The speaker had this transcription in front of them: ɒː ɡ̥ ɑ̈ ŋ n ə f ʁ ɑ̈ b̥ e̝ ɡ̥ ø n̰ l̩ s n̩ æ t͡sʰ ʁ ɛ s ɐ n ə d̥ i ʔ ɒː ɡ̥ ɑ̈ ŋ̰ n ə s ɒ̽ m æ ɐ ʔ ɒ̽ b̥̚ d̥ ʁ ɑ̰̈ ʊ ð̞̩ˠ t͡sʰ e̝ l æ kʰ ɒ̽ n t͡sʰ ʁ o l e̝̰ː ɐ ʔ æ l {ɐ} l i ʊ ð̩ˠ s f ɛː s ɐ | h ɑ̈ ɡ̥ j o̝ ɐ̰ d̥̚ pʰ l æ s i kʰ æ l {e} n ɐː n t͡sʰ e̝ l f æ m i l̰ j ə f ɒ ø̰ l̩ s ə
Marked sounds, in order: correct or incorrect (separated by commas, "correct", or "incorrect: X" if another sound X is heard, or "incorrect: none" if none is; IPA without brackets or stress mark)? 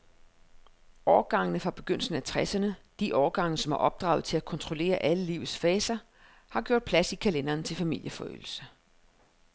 incorrect: ə, correct